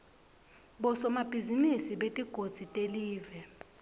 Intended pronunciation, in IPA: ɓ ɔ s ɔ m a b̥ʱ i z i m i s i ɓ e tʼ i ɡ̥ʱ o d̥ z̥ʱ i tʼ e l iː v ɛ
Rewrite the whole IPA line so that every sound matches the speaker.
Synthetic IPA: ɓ ɔ s ɔ m a b̥ʱ i z i m i s i ɓ e tʼ i ɡ̥ʱ o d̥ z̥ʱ i tʼ e l iː v ɛ